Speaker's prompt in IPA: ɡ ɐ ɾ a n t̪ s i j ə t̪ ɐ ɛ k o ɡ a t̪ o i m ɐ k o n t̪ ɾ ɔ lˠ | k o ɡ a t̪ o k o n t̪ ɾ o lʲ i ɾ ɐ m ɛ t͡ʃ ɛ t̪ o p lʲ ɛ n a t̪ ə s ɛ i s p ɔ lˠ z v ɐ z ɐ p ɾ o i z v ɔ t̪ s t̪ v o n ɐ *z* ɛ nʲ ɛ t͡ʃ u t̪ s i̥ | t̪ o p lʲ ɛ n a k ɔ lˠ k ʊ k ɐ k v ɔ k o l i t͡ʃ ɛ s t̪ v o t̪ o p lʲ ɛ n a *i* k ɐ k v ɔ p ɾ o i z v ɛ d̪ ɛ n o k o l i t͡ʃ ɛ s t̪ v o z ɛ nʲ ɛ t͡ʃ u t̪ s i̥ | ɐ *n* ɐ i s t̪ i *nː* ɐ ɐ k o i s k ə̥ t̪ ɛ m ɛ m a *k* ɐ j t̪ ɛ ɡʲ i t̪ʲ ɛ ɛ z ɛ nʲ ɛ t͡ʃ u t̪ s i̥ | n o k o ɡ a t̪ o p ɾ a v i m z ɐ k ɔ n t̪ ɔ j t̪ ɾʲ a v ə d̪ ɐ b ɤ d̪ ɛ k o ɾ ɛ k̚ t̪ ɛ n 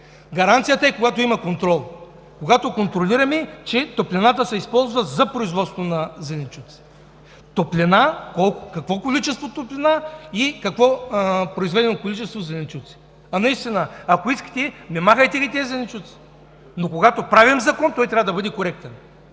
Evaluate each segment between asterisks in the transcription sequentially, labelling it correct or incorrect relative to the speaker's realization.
correct, correct, correct, incorrect: n, incorrect: x

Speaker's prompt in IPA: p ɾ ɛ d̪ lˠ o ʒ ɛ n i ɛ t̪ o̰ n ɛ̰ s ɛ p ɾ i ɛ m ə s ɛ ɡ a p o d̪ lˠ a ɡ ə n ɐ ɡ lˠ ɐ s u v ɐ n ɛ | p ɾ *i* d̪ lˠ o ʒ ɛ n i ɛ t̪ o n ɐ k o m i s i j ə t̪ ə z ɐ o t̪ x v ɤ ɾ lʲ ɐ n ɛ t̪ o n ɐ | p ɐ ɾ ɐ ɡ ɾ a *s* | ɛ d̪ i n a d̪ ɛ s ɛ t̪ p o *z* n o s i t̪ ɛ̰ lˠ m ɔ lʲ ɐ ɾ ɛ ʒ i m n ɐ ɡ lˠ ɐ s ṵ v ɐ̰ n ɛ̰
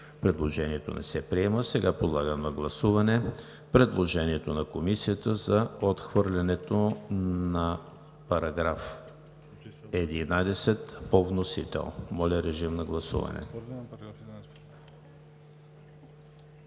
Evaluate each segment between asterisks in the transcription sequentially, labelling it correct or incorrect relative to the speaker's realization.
incorrect: ɛ, incorrect: f, incorrect: v

